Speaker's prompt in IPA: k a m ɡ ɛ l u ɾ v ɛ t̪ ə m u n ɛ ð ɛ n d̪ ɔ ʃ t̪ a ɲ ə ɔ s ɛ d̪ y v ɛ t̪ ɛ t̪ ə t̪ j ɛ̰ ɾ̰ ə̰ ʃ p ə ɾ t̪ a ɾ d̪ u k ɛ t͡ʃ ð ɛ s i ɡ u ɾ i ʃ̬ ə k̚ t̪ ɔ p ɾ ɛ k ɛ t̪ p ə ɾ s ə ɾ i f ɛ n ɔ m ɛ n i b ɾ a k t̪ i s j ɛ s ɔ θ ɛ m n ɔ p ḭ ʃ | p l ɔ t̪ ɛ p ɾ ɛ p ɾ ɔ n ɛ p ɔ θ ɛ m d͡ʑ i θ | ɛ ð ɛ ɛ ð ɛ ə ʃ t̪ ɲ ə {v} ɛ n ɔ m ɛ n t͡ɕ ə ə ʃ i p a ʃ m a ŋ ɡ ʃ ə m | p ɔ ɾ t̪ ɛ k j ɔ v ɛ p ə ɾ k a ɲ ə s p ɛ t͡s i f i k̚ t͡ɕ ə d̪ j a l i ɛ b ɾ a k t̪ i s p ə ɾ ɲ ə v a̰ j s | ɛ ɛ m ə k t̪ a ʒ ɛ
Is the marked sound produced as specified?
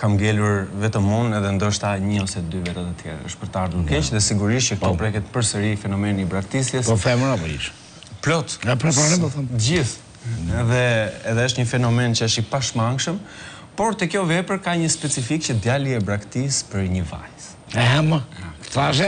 no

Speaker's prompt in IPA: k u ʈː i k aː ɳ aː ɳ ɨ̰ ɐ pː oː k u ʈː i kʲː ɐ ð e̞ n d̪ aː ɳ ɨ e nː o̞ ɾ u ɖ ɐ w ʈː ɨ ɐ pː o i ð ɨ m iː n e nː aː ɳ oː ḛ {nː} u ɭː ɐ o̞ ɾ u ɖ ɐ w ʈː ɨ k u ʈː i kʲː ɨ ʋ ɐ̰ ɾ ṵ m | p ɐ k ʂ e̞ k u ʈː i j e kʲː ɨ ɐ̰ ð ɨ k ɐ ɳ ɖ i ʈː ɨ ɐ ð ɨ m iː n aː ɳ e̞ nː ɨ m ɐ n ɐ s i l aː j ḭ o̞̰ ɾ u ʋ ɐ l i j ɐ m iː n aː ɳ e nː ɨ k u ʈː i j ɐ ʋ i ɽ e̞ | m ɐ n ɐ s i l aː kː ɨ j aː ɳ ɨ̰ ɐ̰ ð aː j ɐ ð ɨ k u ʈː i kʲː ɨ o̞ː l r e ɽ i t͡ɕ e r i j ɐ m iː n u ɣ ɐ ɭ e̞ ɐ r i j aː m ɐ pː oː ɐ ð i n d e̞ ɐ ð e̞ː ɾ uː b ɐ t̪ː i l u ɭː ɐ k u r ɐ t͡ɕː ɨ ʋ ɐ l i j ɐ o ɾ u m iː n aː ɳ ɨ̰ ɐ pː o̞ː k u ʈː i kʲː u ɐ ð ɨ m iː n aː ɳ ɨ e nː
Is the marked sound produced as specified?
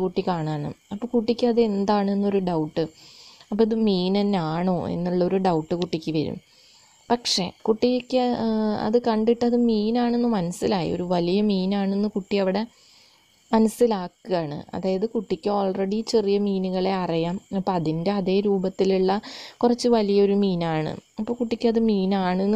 yes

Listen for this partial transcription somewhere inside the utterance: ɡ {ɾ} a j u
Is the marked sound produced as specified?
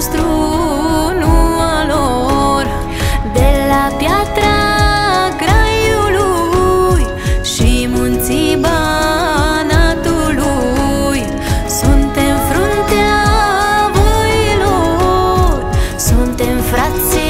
yes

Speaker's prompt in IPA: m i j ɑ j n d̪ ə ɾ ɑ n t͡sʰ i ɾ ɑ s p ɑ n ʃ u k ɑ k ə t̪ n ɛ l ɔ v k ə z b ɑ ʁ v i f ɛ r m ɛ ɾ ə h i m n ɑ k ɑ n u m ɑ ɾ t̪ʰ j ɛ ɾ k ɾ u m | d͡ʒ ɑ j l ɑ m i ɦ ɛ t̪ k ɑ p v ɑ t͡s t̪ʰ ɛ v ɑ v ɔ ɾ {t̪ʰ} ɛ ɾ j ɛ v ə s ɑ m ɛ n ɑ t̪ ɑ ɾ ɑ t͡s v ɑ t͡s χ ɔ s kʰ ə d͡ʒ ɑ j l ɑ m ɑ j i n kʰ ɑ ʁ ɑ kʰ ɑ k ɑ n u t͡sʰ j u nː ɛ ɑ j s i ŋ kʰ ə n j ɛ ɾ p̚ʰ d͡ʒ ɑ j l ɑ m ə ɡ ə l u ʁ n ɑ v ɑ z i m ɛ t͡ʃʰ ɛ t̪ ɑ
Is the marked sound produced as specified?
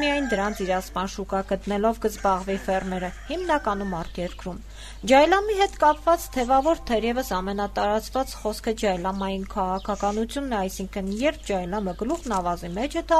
yes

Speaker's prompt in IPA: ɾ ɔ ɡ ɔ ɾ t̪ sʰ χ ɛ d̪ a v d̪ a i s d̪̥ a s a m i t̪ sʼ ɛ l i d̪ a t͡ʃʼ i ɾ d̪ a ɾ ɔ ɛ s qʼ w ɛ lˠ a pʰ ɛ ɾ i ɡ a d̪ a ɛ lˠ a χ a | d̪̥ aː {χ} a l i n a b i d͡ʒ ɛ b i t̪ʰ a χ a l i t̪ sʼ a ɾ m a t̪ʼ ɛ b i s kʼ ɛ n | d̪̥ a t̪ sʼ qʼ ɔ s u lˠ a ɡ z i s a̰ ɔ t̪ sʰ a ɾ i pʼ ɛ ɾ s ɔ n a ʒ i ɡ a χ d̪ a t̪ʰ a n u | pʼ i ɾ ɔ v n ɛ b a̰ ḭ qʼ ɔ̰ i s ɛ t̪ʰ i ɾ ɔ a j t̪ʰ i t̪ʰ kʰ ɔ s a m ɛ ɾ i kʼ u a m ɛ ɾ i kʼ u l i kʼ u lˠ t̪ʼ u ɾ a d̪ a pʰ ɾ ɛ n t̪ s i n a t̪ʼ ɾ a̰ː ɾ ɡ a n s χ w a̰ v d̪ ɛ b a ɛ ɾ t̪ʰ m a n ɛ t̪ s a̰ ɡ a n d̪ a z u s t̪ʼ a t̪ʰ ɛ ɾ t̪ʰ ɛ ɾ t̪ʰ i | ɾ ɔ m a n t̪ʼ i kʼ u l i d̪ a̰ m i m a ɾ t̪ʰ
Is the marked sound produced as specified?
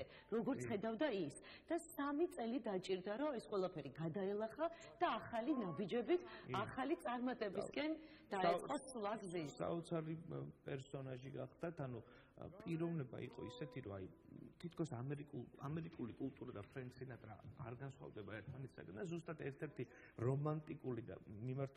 yes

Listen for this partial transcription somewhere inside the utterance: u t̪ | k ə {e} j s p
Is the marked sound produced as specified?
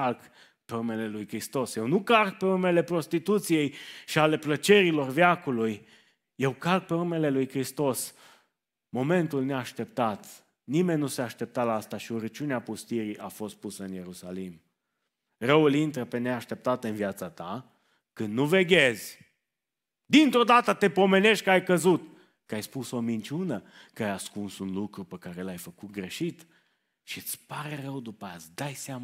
no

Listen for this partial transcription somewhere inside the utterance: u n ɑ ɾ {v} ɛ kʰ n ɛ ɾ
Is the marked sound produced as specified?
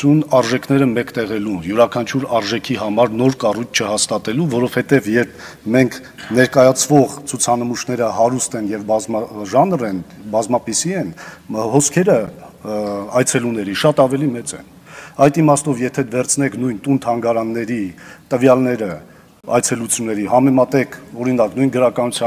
no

